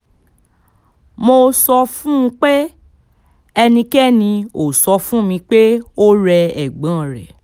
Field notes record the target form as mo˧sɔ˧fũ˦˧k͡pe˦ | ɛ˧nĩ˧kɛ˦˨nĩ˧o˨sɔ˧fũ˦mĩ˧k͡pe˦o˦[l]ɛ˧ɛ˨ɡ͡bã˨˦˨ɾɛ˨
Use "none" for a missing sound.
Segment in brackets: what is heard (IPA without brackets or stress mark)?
ɾ